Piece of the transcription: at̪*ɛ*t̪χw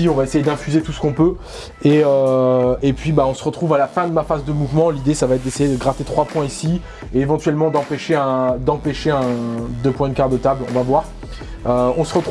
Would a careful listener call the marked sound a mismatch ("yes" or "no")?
yes